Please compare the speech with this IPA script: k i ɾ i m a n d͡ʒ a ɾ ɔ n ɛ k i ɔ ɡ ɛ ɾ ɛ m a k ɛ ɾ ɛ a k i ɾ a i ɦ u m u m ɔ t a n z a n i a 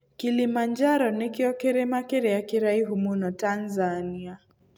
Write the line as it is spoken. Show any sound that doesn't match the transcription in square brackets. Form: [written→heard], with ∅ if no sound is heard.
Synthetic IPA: k i [ɾ→l] i m a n d͡ʒ a ɾ ɔ n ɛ k i ɔ [ɡ→k] ɛ ɾ ɛ m a k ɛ ɾ ɛ a k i ɾ a i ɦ u m u [m→n] ɔ t a n z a n i a